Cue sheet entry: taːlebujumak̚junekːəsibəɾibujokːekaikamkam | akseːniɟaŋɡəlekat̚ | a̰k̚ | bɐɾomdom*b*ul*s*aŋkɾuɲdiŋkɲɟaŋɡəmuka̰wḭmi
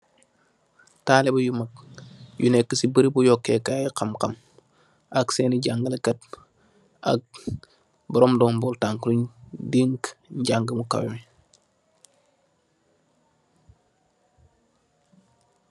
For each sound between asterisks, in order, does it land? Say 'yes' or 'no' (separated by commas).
yes, no